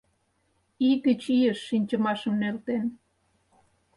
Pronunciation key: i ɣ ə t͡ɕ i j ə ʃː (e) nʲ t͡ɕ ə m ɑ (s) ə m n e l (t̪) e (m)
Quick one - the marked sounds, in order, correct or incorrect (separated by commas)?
incorrect, incorrect, correct, incorrect